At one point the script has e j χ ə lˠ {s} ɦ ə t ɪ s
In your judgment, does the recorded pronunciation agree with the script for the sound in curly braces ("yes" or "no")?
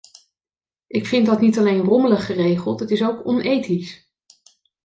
no